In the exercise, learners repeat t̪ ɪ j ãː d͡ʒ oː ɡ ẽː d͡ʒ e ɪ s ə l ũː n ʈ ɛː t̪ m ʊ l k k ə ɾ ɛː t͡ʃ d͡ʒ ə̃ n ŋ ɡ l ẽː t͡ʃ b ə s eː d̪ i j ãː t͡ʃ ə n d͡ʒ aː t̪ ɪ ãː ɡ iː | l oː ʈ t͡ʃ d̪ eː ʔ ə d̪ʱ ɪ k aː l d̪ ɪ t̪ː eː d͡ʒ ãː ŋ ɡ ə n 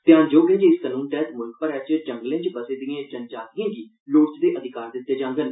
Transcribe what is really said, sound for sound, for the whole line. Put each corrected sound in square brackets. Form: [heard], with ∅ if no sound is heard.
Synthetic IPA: t̪ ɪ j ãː d͡ʒ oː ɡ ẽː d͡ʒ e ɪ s ə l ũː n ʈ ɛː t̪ m ʊ l k [p] ə ɾ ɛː t͡ʃ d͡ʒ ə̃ [∅] ŋ ɡ l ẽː t͡ʃ b ə s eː d̪ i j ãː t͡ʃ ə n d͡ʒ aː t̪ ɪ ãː ɡ iː | l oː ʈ t͡ʃ d̪ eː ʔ ə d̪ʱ ɪ k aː [ɾ] d̪ ɪ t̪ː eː d͡ʒ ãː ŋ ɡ ə n